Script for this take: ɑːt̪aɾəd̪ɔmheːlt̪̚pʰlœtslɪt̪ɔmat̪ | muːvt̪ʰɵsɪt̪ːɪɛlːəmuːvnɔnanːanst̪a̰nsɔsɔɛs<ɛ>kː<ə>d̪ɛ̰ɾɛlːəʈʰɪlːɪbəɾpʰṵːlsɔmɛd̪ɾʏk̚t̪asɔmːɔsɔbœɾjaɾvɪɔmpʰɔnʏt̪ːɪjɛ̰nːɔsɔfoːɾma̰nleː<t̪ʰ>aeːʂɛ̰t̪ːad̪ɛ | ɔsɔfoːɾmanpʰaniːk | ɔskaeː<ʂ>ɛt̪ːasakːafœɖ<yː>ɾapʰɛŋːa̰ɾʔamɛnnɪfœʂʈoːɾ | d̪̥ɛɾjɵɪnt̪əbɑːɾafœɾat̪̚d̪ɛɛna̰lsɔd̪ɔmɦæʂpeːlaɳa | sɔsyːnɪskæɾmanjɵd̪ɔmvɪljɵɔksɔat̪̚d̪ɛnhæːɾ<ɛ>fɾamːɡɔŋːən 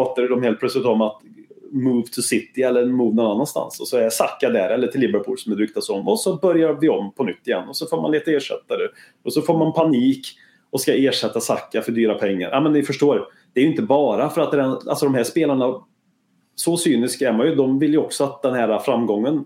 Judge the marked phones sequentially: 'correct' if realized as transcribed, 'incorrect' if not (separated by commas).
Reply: incorrect, incorrect, incorrect, correct, correct, incorrect